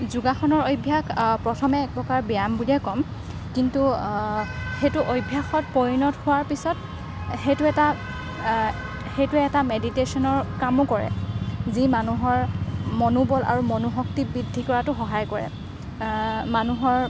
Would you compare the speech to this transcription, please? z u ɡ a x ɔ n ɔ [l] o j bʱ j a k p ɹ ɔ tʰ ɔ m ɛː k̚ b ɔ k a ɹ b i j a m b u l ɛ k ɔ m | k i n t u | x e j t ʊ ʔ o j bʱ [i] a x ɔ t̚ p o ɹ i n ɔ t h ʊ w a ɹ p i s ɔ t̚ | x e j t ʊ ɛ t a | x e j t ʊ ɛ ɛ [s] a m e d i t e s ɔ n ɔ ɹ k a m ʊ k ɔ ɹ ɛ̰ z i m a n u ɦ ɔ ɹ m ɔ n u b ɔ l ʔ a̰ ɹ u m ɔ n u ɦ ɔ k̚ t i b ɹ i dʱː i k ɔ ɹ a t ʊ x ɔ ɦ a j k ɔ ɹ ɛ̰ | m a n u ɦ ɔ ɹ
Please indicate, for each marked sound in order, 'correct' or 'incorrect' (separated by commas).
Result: incorrect, incorrect, incorrect